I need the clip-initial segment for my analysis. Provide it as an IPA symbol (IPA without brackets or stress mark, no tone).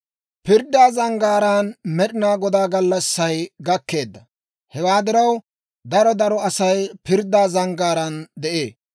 p